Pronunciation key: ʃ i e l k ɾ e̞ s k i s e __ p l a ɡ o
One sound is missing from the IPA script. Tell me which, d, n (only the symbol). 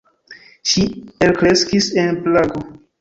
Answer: n